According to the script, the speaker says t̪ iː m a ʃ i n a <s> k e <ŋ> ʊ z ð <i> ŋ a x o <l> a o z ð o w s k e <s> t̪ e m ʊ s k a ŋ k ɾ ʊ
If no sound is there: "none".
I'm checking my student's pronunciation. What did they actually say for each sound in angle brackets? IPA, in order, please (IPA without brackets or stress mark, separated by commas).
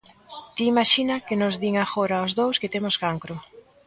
none, n, i, ɾ, none